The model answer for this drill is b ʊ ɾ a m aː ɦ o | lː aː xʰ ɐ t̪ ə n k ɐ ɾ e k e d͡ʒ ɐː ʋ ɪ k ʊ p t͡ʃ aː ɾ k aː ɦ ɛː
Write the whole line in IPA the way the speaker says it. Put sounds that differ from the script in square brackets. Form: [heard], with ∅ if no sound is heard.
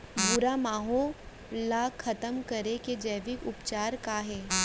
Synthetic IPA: b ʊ ɾ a m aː ɦ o | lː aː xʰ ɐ t̪ ə [m] k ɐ ɾ e k e d͡ʒ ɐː ʋ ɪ k ʊ p t͡ʃ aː ɾ k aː ɦ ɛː